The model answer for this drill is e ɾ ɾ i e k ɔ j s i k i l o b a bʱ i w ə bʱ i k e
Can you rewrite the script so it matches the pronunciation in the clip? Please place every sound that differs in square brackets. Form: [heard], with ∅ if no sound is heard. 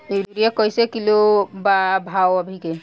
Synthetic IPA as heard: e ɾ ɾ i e k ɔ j s [e] k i l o b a bʱ [a] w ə bʱ i k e